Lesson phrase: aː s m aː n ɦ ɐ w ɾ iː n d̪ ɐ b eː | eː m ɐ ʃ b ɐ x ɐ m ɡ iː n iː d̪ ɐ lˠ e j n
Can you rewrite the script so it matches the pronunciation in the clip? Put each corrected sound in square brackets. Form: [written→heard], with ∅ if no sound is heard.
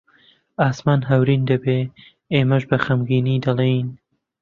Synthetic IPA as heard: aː s m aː n ɦ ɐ w ɾ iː n d̪ ɐ b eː | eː m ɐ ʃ b ɐ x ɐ m ɡ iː n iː d̪ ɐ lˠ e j n